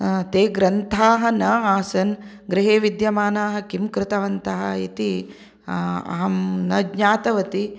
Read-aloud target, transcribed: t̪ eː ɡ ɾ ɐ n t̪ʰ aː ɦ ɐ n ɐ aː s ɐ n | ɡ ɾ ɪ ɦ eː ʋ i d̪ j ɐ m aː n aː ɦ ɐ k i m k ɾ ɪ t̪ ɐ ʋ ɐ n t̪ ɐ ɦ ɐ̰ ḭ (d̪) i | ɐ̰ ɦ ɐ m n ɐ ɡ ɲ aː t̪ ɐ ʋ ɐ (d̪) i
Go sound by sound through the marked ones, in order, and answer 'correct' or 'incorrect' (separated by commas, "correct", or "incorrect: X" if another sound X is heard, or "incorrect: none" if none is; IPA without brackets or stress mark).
incorrect: t̪, incorrect: t̪